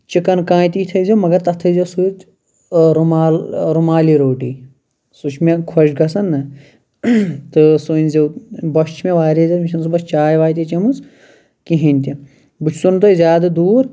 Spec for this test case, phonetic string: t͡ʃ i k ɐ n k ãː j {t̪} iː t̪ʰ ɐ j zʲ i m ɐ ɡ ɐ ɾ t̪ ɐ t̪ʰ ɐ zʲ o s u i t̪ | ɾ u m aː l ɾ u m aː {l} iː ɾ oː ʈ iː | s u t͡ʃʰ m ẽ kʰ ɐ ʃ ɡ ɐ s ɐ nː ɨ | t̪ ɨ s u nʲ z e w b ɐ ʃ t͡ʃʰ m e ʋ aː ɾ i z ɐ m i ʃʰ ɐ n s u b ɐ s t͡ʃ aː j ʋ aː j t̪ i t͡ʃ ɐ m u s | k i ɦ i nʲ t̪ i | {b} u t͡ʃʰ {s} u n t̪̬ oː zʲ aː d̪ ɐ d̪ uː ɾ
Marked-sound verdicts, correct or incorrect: correct, correct, correct, correct

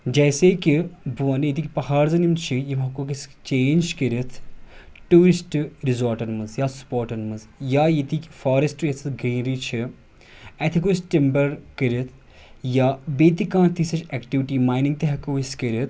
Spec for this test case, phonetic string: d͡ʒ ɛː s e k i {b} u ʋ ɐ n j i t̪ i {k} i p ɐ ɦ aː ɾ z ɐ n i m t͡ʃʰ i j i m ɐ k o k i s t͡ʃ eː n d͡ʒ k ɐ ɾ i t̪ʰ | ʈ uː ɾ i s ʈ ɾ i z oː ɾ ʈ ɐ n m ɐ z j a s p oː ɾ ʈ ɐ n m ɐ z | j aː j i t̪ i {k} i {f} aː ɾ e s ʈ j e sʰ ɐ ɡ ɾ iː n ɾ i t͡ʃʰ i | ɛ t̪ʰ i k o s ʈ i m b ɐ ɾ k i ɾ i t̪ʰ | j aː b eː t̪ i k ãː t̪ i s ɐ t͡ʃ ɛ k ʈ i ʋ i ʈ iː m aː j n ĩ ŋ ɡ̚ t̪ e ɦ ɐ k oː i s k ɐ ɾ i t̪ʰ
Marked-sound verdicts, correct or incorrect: correct, correct, correct, correct

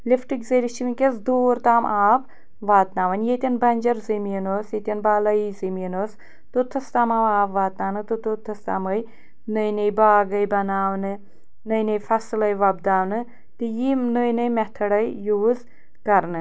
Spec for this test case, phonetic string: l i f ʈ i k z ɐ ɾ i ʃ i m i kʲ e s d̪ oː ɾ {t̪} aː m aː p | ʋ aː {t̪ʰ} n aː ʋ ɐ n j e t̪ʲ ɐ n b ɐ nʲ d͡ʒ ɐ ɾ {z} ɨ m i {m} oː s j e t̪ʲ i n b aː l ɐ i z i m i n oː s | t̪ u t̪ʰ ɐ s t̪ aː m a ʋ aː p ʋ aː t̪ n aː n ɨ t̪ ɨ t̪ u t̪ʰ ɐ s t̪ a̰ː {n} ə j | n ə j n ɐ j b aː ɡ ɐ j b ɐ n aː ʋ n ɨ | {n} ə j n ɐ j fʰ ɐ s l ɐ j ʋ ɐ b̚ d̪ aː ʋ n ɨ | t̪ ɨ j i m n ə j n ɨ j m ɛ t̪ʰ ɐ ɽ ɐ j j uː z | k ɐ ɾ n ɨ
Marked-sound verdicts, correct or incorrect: correct, incorrect: t̪, correct, incorrect: n, incorrect: m, correct

